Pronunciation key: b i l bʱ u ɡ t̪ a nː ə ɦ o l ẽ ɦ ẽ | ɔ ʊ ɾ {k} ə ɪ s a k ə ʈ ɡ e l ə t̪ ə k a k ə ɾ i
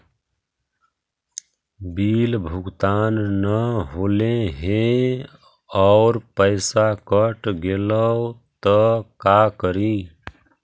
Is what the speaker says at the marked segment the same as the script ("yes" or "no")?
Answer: no